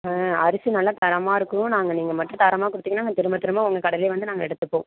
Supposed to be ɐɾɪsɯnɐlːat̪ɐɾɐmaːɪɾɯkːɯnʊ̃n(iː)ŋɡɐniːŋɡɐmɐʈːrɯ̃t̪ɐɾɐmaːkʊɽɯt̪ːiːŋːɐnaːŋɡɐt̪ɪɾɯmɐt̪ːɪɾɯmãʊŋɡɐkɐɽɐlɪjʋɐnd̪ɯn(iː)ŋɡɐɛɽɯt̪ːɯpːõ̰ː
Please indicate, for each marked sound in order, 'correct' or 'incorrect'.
incorrect: aː, incorrect: aː

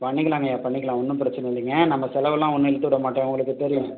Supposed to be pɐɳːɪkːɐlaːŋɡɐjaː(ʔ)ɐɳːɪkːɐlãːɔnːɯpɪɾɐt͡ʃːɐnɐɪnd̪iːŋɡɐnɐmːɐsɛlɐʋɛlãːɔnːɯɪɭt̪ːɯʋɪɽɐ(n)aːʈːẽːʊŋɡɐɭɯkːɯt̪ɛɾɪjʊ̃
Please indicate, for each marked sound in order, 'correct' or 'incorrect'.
incorrect: p, incorrect: m

